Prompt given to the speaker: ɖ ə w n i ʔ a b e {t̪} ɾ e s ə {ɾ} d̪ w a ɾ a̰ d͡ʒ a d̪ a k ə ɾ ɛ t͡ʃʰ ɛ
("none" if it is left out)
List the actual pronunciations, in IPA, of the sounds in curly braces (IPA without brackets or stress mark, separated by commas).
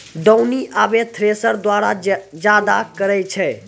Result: t̪ʰ, ɾ